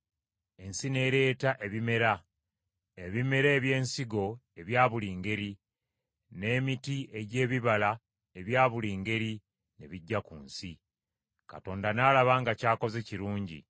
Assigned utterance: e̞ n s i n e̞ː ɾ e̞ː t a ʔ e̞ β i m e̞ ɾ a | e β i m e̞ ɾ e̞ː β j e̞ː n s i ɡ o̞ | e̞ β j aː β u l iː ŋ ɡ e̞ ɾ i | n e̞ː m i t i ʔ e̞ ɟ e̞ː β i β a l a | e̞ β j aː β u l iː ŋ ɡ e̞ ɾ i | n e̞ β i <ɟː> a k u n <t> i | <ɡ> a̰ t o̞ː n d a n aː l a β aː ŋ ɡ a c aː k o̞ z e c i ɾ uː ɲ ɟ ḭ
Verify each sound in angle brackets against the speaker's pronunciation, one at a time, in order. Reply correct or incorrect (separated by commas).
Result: correct, incorrect, incorrect